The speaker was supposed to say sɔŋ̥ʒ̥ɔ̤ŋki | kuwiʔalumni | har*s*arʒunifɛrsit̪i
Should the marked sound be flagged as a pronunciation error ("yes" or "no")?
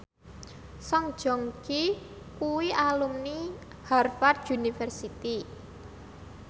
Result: yes